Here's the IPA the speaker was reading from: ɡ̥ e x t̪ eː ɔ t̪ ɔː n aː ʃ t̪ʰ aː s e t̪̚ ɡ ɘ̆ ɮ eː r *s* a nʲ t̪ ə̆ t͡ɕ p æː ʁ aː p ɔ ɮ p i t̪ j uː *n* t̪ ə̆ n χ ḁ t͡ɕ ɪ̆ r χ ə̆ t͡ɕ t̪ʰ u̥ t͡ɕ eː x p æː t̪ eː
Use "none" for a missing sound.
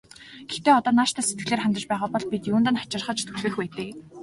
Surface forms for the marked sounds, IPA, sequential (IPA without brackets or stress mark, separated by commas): χ, n